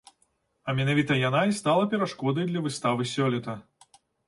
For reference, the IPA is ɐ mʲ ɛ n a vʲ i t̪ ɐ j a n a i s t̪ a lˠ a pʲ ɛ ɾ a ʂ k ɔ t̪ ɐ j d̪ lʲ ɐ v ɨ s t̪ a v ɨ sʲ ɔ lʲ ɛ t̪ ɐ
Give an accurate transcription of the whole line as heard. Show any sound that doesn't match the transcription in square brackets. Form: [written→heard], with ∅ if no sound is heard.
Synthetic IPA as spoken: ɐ mʲ ɛ n a vʲ i t̪ ɐ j a n a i s t̪ a lˠ [a→ɐ] pʲ ɛ ɾ a ʂ k ɔ [t̪→d̪] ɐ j d̪ lʲ ɐ v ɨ s t̪ a v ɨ sʲ ɔ lʲ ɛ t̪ ɐ